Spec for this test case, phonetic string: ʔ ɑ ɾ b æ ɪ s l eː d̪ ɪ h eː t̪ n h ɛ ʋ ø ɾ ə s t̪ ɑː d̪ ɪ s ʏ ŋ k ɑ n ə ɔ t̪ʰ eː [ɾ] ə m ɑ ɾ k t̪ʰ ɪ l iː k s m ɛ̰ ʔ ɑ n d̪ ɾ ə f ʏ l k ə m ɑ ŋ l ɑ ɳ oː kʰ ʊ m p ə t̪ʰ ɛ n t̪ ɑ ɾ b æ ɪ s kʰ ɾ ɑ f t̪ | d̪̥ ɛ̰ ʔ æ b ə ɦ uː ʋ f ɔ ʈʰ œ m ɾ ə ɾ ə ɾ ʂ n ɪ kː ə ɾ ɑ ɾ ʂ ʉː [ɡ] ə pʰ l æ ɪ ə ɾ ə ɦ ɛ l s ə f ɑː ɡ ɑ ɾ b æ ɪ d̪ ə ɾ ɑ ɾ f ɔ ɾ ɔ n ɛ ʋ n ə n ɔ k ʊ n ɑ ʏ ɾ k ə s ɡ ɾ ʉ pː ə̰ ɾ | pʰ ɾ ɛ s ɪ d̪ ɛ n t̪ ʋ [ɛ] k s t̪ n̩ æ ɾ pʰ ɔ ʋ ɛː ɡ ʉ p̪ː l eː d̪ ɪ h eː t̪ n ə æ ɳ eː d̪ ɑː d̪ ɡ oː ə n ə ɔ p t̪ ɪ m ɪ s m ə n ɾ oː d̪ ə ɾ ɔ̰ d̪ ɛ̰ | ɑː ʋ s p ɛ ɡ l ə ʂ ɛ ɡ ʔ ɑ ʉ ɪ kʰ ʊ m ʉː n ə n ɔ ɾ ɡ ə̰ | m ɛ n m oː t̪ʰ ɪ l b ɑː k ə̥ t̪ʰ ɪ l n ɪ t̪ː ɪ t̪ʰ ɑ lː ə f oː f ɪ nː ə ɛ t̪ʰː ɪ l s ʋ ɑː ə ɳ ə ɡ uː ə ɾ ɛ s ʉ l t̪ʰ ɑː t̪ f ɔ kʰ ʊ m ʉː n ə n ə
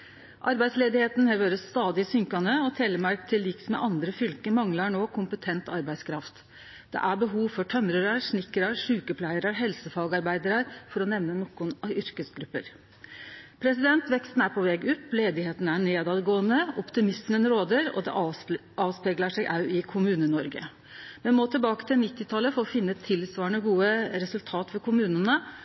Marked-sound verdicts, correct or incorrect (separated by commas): incorrect, incorrect, correct